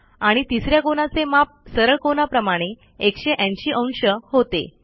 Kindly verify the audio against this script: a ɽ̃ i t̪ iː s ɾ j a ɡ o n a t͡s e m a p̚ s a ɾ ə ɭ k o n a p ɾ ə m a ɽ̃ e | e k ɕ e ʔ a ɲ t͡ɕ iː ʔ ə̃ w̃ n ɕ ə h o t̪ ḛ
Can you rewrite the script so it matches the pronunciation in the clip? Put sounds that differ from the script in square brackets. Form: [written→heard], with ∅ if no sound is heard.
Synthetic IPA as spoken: a ɽ̃ i t̪ [iː→i] s ɾ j a [ɡ→k] o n a t͡s e m a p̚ s [a→ə] ɾ ə ɭ k o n a p ɾ ə m a ɽ̃ e | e k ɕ e ʔ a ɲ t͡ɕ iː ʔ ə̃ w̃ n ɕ ə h o t̪ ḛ